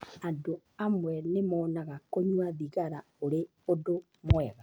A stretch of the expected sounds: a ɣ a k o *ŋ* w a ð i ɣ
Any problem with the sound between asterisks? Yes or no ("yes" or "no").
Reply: yes